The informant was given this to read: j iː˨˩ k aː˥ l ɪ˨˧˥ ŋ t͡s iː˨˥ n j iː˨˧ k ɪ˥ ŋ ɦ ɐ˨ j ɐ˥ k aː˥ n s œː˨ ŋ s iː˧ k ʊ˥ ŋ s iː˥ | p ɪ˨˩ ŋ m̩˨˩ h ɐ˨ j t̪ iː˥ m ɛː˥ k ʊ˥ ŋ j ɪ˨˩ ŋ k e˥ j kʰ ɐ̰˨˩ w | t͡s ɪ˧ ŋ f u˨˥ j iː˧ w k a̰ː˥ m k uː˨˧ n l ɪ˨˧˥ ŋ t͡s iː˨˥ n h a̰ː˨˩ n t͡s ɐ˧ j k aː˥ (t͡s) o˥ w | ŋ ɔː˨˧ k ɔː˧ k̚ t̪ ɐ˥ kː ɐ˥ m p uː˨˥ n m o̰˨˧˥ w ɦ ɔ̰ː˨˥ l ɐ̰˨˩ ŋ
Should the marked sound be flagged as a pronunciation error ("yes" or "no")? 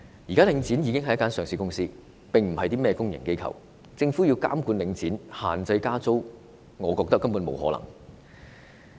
no